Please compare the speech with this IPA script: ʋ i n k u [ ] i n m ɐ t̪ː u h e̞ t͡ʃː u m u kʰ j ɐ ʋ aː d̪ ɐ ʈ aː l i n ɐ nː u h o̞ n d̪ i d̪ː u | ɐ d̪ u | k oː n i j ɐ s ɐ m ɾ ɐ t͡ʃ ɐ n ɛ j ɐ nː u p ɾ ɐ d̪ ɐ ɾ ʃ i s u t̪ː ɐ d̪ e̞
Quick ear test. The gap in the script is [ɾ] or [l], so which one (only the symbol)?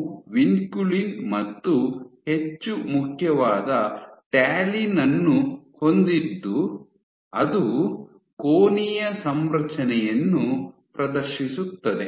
l